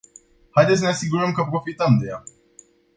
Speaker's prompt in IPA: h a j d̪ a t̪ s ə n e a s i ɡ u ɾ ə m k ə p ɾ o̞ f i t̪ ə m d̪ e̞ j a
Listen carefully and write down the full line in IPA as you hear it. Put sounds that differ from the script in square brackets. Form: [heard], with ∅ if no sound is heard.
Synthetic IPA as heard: h a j d̪ [e] t̪ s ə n e a s i ɡ u ɾ ə m k ə p ɾ o̞ f i t̪ ə m d̪ e̞ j a